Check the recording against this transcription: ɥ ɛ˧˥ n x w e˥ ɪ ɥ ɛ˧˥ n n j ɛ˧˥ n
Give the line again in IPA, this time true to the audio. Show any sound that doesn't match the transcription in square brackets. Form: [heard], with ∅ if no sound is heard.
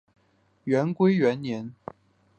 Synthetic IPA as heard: ɥ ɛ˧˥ n [k] w e˥ ɪ ɥ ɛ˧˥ n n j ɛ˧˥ n